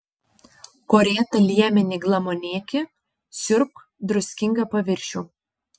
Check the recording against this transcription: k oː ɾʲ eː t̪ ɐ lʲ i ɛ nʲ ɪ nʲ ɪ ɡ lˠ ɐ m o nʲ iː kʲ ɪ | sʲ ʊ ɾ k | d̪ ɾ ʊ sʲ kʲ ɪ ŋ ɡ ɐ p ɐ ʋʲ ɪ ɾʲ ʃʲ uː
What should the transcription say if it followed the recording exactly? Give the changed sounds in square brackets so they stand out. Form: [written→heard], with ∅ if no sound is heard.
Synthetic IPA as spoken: k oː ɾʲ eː t̪ ɐ lʲ i ɛ [nʲ→mʲ] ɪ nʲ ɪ ɡ lˠ ɐ m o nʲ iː kʲ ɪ | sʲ ʊ ɾ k | d̪ ɾ ʊ sʲ kʲ ɪ ŋ ɡ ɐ p ɐ ʋʲ ɪ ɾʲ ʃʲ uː